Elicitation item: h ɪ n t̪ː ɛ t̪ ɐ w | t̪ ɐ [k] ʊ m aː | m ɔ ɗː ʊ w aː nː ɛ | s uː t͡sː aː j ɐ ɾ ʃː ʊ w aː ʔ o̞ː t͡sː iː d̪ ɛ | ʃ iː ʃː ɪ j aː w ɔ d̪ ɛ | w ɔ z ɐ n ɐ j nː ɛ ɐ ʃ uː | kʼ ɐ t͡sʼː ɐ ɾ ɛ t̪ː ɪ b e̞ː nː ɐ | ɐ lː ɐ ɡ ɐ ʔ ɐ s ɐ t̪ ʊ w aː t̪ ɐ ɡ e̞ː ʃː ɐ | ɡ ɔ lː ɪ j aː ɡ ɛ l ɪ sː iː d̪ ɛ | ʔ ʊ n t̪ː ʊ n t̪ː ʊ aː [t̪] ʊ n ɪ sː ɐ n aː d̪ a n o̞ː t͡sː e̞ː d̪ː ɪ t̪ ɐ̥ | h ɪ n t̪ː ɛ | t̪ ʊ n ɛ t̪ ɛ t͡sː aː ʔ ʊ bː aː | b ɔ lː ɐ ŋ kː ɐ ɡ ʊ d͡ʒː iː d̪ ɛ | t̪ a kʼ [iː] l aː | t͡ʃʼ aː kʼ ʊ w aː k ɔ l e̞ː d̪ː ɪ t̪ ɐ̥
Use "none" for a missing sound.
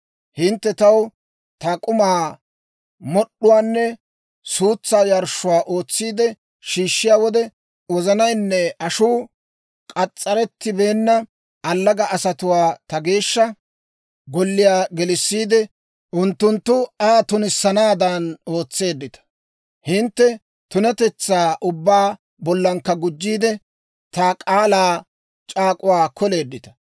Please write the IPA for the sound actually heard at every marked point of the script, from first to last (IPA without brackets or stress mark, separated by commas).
kʼ, t̪, aː